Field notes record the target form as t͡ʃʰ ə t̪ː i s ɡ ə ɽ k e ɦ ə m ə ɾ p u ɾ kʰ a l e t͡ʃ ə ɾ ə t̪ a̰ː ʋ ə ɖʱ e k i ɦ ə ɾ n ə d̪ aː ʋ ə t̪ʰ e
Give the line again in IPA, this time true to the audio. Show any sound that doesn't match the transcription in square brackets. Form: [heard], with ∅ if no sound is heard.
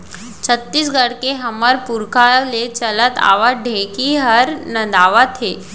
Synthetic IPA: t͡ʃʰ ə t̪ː i s ɡ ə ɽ k e ɦ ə m ə ɾ p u ɾ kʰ a l e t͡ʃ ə [l] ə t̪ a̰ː ʋ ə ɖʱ e k i ɦ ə ɾ n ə d̪ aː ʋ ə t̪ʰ e